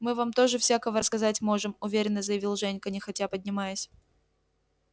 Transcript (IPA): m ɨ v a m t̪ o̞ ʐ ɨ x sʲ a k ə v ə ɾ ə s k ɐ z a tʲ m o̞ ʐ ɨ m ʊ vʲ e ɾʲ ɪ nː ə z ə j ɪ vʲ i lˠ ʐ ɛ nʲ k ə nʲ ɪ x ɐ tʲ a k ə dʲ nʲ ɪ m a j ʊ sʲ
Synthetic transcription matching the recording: m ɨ v a m t̪ o̞ ʐ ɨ f sʲ a k ə v ə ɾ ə s k ɐ z a tʲ m o̞ ʐ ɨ m ʊ vʲ e ɾʲ ɪ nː ə z ə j ɪ vʲ i lˠ ʐ ɛ nʲ k ə nʲ ɪ x ɐ tʲ a p ə dʲ nʲ ɪ m a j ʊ sʲ

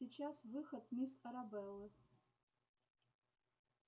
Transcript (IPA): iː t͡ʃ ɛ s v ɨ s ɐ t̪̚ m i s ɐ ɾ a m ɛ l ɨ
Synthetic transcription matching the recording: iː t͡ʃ a s v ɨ x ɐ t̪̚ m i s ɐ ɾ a b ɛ l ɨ

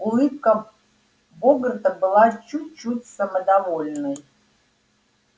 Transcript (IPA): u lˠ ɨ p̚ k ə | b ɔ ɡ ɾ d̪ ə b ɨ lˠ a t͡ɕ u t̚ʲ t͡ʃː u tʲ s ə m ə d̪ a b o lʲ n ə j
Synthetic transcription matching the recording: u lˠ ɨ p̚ k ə | b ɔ ɡ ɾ t̪ ə b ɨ lˠ a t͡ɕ u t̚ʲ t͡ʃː u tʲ s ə m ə d̪ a v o lʲ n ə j

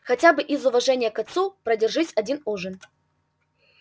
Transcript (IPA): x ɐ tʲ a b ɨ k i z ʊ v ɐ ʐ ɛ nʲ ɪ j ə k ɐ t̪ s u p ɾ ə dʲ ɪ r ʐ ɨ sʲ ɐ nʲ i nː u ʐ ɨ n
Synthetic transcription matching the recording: x ɐ tʲ a b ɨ ʔ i z ʊ v ɐ ʐ ɛ nʲ ɪ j ə k ɐ t̪ s u p ɾ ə dʲ ɪ r ʐ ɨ sʲ ɐ dʲ i n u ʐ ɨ n

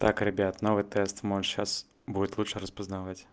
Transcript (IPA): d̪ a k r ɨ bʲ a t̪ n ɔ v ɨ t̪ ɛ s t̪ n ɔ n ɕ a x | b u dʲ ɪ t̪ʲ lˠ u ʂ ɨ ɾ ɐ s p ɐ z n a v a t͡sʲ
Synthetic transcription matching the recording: t̪ a k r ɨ bʲ a t̪ n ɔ v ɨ t̪ ɛ s t̪ m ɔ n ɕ a s | b u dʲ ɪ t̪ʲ lˠ u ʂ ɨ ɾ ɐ s p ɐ z n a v a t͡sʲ

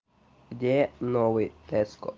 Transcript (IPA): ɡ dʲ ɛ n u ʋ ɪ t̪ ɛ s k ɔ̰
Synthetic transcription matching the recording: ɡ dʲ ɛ n ɔ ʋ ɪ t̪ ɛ s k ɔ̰

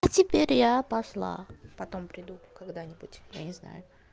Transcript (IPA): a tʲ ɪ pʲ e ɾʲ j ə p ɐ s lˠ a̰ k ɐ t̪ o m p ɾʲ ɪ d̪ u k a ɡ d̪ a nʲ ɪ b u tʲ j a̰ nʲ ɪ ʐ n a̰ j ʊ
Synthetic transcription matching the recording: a tʲ ɪ pʲ e ɾʲ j a p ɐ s lˠ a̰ p ɐ t̪ o m p ɾʲ ɪ d̪ u k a ɡ d̪ a nʲ ɪ b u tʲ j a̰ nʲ ɪ z n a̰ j ʊ

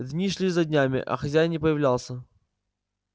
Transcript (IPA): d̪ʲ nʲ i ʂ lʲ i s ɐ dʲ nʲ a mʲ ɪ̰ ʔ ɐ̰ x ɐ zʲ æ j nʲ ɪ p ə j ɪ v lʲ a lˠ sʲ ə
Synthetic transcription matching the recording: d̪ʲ nʲ i ʂ lʲ i z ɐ dʲ nʲ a mʲ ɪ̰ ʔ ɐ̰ x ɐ zʲ æ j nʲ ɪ p ə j ɪ v lʲ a lˠ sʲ ə

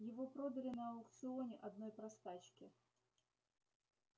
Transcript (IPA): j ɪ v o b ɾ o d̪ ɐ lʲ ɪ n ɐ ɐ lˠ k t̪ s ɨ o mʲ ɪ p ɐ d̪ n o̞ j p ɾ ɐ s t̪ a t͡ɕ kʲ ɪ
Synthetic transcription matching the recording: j ɪ v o p ɾ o d̪ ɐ lʲ ɪ n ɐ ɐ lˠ k t̪ s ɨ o nʲ ɪ ʔ ɐ d̪ n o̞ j p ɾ ɐ s t̪ a t͡ɕ kʲ ɪ

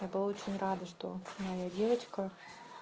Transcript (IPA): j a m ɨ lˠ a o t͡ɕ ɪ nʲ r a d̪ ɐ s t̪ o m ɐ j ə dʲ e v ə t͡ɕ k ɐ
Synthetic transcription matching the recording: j a b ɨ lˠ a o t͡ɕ ɪ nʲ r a d̪ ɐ ʂ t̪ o m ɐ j a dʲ e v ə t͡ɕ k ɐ

